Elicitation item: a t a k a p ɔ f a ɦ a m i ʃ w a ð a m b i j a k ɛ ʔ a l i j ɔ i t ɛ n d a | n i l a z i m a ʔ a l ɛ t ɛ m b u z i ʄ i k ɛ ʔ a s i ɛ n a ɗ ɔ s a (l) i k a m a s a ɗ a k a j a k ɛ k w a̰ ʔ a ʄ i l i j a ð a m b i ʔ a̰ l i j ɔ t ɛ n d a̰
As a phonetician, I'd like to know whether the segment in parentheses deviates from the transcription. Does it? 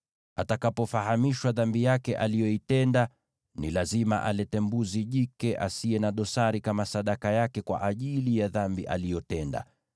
yes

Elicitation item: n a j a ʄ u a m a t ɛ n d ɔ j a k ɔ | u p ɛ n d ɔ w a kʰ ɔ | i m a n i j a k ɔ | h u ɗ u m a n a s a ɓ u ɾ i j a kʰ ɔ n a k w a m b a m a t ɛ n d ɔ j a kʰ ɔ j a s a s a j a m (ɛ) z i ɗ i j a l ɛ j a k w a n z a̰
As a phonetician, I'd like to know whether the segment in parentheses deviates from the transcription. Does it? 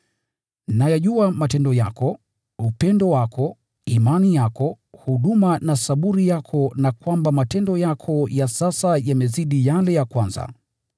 no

